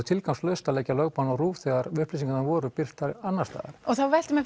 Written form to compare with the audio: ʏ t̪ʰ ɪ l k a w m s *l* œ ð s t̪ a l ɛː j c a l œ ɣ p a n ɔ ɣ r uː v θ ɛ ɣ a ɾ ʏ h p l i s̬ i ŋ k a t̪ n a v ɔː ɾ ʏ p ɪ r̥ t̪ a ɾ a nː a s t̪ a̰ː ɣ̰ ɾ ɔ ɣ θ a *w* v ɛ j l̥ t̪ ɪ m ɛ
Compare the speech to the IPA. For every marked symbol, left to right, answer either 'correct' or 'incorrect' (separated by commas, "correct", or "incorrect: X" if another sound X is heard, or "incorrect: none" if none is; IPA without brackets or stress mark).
correct, correct